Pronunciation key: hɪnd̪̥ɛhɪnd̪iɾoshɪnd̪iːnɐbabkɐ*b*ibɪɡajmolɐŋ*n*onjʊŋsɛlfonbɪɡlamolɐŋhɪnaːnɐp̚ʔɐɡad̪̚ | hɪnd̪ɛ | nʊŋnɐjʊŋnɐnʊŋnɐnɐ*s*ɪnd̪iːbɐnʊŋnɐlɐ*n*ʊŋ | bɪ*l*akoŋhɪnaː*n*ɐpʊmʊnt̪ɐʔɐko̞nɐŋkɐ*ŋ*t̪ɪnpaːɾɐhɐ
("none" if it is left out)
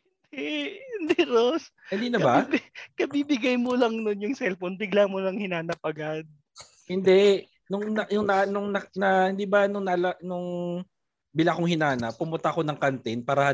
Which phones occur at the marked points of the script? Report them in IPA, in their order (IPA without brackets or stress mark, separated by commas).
b, n, h, n, l, n, n